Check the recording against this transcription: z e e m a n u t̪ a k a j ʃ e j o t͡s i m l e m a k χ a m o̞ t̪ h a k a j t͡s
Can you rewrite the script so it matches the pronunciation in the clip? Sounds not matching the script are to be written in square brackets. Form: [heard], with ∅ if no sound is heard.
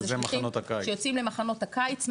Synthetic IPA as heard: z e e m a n [o] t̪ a k a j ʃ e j o t͡s i m l e m a [∅] χ a [n] o̞ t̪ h a k a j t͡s